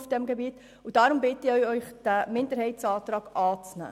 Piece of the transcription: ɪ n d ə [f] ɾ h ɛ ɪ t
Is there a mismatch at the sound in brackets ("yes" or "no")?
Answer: yes